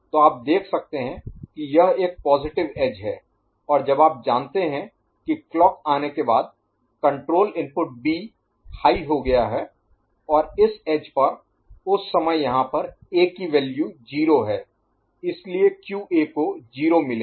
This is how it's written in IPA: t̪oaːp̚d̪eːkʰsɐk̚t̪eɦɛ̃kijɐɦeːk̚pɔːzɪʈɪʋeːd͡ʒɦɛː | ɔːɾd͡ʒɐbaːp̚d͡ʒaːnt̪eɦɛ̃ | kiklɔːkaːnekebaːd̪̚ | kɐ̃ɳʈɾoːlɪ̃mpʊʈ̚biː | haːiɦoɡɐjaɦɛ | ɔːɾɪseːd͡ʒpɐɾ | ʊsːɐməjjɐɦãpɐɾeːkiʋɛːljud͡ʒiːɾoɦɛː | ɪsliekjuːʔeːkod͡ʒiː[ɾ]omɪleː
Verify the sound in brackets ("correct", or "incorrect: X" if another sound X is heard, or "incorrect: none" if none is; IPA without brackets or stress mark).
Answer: correct